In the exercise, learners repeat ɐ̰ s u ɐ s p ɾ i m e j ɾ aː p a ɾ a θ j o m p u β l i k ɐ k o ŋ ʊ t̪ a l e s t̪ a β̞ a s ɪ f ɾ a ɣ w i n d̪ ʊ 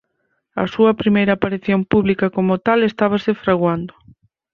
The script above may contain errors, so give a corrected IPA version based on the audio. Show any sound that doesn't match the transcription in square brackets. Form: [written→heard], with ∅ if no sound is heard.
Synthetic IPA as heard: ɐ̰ s u ɐ [s→∅] p ɾ i m e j ɾ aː p a ɾ [a→i] θ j o m p u β l i k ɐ k o [ŋ→m] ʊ t̪ a l e s t̪ a β̞ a s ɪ f ɾ a ɣ w [i→a] n d̪ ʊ